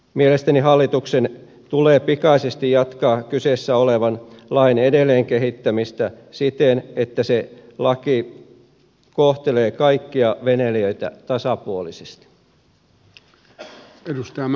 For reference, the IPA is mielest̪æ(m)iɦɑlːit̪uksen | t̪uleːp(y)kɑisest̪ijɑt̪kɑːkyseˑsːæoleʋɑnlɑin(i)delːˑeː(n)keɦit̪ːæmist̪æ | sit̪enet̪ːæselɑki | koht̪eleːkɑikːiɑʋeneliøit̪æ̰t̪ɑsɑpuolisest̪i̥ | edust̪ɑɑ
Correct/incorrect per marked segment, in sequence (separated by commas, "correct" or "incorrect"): incorrect, incorrect, incorrect, incorrect